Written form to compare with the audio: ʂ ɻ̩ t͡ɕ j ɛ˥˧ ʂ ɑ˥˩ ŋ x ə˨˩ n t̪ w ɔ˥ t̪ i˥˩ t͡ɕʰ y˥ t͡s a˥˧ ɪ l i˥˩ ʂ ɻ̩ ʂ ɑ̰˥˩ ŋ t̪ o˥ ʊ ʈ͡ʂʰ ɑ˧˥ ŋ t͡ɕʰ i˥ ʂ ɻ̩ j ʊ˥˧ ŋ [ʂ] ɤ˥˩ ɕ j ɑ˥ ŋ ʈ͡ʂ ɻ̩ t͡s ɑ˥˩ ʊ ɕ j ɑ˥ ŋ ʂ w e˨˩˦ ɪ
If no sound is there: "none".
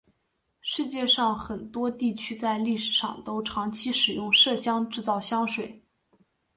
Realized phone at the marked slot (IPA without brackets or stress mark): ʂ